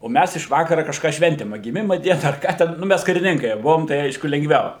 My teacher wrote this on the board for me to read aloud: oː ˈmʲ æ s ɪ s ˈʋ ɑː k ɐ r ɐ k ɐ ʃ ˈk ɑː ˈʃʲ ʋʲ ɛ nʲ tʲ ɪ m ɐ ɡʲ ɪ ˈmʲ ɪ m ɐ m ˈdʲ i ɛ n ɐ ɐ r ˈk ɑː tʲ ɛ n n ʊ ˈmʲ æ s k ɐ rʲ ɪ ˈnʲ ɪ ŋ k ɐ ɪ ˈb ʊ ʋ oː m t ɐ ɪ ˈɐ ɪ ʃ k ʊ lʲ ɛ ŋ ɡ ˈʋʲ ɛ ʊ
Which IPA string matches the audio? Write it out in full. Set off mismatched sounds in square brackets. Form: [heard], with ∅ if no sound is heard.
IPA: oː ˈmʲ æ s ɪ [ʃ] ˈʋ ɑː k ɐ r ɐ k ɐ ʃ ˈk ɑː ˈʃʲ ʋʲ ɛ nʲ tʲ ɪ m ɐ ɡʲ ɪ ˈmʲ ɪ m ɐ [∅] ˈdʲ i ɛ n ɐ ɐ r ˈk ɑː tʲ ɛ n n ʊ ˈmʲ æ s k ɐ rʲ ɪ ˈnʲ ɪ ŋ k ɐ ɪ ˈb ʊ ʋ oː m t ɐ ɪ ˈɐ ɪ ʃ k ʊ lʲ ɛ ŋ ɡ ˈʋʲ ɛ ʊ